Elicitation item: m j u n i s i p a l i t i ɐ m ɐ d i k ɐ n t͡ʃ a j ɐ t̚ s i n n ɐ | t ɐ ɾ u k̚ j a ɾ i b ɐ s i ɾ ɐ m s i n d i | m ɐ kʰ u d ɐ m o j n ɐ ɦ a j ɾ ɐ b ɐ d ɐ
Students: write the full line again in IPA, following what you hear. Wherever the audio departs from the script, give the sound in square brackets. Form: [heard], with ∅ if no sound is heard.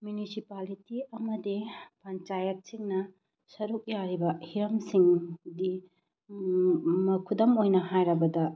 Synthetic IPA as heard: m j u n i s i p a l i t i ɐ m ɐ d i [p] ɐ n t͡ʃ a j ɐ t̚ s i [ŋ] n ɐ | [s] ɐ ɾ u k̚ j a ɾ i b ɐ [h] i ɾ ɐ m s i [ŋ] d i | m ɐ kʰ u d ɐ m o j n ɐ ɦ a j ɾ ɐ b ɐ d ɐ